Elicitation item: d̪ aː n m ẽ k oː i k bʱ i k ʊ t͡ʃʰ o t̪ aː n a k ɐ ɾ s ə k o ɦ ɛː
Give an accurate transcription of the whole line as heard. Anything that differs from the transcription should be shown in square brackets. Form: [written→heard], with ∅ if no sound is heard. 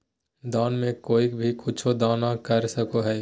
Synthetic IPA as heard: d̪ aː n m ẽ k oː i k bʱ i k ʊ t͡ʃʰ o [t̪→d̪] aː n a k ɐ ɾ s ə k o ɦ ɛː